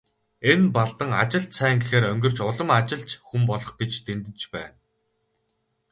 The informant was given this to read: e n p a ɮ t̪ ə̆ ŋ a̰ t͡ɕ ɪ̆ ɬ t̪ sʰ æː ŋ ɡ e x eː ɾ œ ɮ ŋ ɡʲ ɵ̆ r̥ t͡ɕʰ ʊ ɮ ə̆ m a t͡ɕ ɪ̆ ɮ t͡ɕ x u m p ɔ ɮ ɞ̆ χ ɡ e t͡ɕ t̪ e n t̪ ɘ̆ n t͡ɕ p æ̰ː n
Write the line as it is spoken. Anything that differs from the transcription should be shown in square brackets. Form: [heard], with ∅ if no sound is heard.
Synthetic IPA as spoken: e n p a ɮ t̪ ə̆ ŋ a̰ t͡ɕ ɪ̆ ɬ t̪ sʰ æː ŋ ɡ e x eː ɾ œ [∅] ŋ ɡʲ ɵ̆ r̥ [t͡ɕ] ʊ ɮ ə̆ m a t͡ɕ ɪ̆ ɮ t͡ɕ x u m p ɔ ɮ ɞ̆ χ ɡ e t͡ɕ t̪ e n t̪ ɘ̆ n t͡ɕ p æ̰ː n